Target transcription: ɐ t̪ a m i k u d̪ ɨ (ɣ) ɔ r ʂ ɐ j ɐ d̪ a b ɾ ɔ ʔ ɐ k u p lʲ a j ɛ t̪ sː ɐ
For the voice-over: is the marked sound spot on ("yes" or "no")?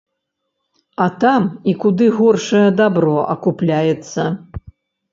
yes